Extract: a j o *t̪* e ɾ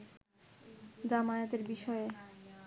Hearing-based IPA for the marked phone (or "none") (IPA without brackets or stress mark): t̪